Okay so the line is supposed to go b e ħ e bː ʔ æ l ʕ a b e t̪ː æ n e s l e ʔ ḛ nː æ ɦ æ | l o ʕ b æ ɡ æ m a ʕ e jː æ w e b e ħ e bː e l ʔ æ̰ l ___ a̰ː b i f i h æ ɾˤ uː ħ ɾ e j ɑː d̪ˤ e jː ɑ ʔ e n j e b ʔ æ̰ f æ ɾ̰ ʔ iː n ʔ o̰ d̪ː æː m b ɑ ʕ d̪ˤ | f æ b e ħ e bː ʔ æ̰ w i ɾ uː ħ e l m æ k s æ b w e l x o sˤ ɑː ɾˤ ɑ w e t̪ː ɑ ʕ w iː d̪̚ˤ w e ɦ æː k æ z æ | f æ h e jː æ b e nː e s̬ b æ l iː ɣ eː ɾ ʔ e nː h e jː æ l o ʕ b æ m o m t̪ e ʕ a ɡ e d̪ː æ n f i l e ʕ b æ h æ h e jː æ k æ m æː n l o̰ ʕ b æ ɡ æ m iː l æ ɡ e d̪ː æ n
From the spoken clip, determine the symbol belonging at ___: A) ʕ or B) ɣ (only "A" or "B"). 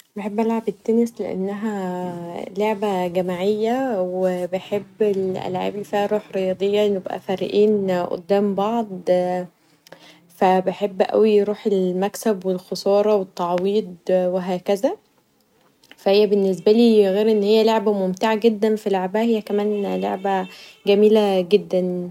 A